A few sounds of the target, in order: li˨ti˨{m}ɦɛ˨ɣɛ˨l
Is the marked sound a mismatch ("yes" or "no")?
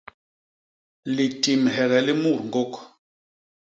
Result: no